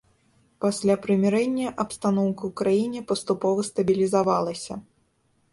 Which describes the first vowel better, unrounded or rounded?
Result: unrounded